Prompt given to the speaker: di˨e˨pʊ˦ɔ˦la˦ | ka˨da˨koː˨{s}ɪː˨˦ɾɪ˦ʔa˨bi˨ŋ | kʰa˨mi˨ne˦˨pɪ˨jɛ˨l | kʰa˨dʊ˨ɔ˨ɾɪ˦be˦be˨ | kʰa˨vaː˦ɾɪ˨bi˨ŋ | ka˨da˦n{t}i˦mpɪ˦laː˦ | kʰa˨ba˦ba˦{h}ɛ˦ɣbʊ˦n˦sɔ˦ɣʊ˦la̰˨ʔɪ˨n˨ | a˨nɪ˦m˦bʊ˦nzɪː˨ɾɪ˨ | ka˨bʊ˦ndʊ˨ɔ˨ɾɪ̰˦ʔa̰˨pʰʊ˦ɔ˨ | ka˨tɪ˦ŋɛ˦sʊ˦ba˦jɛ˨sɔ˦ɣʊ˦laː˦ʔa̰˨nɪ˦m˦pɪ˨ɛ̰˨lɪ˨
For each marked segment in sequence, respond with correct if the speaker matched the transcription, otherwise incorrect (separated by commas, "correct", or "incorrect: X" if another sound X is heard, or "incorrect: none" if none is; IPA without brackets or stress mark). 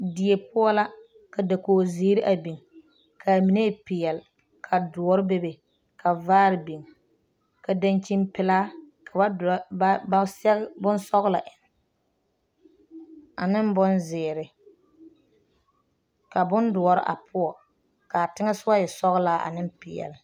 incorrect: z, incorrect: t͡ʃ, incorrect: s